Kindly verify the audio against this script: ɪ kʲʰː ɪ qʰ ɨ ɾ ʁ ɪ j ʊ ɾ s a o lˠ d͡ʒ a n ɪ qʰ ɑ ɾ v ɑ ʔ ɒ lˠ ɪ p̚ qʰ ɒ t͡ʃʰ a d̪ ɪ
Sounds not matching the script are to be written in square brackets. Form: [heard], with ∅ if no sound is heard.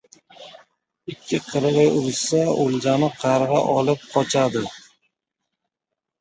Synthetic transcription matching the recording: ɪ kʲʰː ɪ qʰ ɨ ɾ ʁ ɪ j ʊ ɾ s a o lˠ d͡ʒ a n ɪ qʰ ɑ ɾ [ʁ] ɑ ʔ ɒ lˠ ɪ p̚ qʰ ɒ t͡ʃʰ a d̪ ɪ